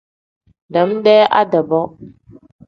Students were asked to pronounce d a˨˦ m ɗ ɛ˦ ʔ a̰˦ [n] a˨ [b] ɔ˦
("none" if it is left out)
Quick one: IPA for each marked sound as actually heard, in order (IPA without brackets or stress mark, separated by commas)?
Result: d, b